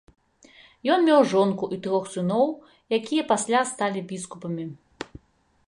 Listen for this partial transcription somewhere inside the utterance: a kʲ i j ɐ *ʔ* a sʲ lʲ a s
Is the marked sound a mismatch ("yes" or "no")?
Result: yes